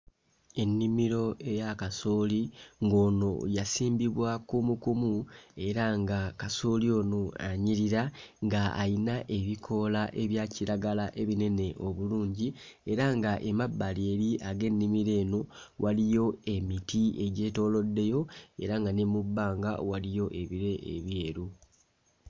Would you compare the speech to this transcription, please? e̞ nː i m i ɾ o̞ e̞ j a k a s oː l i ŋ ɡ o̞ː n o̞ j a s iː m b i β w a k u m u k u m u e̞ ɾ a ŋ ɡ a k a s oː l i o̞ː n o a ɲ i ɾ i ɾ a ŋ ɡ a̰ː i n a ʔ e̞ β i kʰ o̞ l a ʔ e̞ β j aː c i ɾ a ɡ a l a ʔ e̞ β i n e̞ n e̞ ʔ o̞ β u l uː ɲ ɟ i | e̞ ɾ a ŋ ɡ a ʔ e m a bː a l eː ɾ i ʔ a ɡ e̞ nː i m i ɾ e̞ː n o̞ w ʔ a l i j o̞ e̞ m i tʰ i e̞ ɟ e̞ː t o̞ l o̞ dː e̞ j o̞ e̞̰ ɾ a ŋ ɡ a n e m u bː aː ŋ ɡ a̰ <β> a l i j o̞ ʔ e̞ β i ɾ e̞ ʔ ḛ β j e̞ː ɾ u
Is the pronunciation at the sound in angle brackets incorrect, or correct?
incorrect